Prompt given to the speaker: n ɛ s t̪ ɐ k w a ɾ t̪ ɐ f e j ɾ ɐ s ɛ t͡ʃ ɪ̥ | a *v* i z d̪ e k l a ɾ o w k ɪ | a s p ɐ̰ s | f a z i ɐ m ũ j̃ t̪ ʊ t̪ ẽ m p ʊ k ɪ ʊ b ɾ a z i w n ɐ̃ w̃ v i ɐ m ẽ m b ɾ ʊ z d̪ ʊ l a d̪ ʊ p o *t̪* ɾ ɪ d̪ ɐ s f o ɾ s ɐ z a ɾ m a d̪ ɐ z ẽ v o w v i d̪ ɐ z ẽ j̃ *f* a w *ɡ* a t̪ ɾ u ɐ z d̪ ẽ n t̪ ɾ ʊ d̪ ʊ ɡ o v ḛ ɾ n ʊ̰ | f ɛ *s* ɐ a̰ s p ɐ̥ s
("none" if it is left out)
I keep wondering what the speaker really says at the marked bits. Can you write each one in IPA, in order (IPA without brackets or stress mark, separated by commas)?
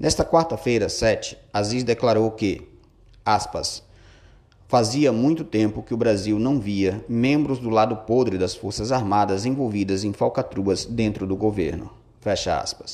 z, d̪, f, k, ʃ